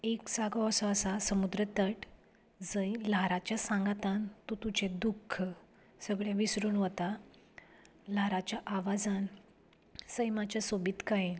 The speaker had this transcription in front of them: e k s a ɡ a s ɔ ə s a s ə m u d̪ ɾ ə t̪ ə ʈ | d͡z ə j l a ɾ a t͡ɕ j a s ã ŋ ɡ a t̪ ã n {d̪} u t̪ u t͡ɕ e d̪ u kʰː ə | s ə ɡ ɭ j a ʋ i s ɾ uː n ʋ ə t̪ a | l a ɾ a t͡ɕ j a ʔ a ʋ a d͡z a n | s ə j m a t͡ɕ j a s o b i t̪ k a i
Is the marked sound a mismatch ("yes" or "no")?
yes